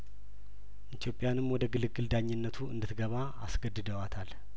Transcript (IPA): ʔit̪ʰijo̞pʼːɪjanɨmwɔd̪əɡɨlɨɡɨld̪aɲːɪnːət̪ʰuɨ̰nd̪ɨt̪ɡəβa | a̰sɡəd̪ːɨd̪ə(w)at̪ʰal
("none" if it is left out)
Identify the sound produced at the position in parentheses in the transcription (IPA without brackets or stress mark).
w